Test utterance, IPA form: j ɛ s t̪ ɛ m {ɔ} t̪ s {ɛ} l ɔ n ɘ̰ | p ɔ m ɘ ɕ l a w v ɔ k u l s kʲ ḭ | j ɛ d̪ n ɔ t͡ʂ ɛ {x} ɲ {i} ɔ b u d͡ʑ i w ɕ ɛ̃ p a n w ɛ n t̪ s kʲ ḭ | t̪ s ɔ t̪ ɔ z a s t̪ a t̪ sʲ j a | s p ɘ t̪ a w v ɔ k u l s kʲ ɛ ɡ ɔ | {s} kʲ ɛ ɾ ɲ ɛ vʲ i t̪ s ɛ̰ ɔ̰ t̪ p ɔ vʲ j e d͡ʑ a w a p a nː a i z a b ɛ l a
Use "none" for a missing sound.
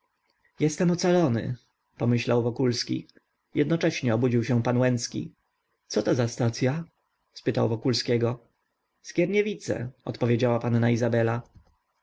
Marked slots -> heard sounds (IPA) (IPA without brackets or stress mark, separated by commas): ɔ, a, ɕ, ɛ, s